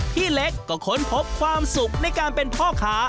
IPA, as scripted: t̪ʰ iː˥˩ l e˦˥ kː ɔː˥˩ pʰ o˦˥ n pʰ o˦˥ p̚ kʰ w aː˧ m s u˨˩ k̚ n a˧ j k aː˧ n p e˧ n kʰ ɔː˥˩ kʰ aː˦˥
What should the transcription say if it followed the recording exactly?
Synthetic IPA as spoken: t̪ʰ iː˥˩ l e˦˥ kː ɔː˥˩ kʰ o˦˥ n pʰ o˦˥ p̚ kʰ w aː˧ m s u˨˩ k̚ n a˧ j k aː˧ n p e˧ n pʰ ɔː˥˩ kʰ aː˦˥